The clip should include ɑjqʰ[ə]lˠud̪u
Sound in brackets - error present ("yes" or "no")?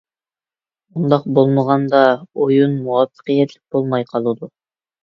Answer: yes